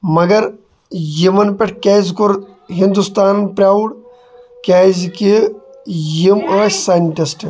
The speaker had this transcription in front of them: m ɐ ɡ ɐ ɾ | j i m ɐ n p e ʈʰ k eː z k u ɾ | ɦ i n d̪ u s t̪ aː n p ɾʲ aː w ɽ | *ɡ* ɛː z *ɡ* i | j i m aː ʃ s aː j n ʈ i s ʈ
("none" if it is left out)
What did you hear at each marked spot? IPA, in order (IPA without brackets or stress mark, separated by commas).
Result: k, k